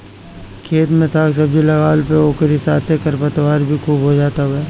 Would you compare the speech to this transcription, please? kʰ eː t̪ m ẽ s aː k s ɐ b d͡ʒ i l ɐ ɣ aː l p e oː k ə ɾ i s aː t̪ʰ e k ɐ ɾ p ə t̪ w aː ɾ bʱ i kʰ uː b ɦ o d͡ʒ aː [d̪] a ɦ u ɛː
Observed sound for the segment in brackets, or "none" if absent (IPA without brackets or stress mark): t̪